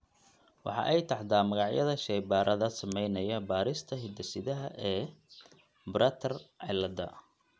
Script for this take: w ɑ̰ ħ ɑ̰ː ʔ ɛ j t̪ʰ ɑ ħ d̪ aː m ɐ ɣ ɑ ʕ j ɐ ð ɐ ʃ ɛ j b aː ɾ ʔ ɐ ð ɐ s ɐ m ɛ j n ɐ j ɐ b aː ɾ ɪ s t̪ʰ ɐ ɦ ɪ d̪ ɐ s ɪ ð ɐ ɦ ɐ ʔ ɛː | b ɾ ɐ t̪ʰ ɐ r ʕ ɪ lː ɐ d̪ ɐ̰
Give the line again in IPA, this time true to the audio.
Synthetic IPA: w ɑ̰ ħ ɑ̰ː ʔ ɛ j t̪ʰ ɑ ħ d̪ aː m ɐ ɣ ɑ ʕ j ɐ ð ɐ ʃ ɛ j b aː ɾ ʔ ɐ ð ɐ s ɐ m ɛ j n ɐ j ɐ b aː ɾ ɪ s t̪ʰ ɐ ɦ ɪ d̪ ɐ s ɪ ð ɐ ɦ ɐ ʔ ɛː | b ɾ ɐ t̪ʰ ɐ r ʕ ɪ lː ɐ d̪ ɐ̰